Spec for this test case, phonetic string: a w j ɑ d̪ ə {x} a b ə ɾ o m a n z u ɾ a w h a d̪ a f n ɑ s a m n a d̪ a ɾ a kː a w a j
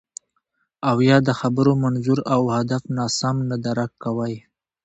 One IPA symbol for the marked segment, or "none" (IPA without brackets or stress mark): x